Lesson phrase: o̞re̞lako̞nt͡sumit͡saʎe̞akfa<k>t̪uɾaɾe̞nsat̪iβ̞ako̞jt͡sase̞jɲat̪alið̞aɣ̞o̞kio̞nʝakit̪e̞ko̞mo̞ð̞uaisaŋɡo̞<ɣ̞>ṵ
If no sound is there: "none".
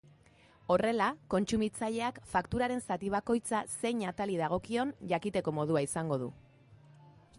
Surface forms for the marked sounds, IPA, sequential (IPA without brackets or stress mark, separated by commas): k, ð̞